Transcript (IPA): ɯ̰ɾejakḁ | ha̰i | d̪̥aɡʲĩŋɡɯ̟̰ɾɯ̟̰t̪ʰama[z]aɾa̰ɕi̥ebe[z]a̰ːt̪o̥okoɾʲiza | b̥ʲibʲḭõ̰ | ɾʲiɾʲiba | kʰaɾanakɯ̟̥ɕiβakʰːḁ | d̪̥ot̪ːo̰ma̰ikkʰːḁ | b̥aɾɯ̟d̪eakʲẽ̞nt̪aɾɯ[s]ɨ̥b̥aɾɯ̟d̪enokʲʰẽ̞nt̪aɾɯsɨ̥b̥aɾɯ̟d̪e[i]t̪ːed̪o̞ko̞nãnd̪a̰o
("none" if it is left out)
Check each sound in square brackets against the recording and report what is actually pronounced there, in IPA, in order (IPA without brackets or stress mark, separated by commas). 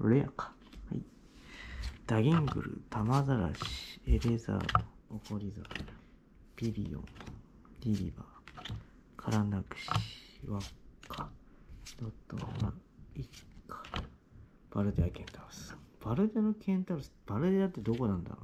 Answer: z, z, s, a